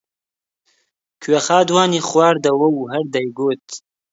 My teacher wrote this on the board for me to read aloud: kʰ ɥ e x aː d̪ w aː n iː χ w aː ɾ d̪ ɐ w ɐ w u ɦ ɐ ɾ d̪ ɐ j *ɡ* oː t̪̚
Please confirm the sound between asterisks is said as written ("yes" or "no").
yes